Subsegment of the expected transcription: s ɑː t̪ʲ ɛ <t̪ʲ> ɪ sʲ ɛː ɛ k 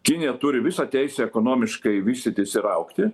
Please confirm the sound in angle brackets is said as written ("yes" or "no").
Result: no